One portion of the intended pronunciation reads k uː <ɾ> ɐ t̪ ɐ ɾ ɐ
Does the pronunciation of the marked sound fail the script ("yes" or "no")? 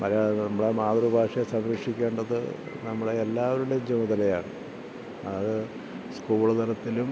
yes